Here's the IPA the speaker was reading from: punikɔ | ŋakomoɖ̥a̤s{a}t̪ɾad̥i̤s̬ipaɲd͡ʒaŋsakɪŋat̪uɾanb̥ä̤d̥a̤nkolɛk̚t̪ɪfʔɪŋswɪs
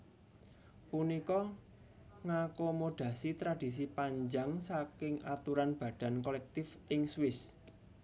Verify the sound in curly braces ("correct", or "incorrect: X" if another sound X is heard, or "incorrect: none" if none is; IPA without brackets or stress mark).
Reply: incorrect: i